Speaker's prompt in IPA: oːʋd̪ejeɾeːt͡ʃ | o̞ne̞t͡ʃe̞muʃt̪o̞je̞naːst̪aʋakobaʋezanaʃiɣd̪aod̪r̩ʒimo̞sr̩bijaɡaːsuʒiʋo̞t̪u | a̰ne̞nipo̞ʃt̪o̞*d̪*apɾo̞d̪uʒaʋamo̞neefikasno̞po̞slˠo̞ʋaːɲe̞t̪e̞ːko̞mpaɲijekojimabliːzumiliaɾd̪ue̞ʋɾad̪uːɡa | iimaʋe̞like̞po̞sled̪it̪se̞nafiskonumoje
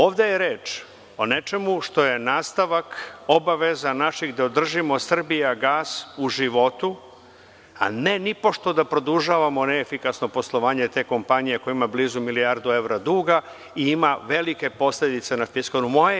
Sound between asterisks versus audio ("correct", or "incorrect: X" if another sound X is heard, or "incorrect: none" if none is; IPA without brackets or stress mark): correct